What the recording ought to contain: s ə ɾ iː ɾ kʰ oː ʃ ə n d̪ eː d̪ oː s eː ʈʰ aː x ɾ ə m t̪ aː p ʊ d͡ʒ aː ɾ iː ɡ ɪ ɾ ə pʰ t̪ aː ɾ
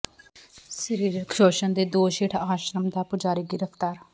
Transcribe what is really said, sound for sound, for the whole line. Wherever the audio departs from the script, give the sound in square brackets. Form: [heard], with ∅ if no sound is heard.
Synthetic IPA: s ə ɾ iː ɾ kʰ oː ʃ ə n d̪ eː d̪ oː [ʃ] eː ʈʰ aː [ʃ] ɾ ə m [d̪] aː p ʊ d͡ʒ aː ɾ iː ɡ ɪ ɾ ə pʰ t̪ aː ɾ